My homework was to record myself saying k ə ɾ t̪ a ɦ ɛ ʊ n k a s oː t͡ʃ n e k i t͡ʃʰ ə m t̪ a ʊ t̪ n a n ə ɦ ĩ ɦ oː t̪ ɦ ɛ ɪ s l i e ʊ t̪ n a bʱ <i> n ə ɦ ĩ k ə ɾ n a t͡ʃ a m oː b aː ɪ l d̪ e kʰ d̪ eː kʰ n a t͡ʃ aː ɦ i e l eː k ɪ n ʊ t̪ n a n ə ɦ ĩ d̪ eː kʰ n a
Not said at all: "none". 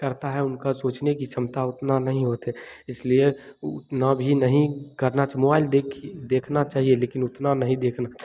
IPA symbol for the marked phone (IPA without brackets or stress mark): i